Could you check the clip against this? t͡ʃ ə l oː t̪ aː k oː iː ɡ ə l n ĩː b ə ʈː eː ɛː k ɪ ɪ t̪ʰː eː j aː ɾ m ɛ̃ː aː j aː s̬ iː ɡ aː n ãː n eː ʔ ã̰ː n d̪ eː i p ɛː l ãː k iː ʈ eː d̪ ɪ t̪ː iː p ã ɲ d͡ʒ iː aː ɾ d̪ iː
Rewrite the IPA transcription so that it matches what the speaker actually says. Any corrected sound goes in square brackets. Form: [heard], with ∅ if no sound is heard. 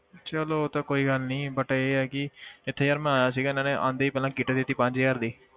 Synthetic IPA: t͡ʃ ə l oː t̪ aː k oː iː ɡ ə l n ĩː b ə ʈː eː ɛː k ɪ ɪ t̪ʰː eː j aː ɾ m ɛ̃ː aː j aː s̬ iː ɡ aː n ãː n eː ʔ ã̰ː n d̪ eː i p ɛː l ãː k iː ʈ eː d̪ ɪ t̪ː iː p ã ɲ d͡ʒ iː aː ɾ d̪ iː